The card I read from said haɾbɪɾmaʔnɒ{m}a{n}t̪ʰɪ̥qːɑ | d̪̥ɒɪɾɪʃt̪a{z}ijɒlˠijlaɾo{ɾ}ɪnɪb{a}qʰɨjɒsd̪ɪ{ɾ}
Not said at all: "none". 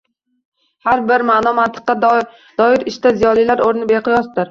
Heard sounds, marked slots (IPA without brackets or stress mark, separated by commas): m, n, z, ɾ, e, ɾ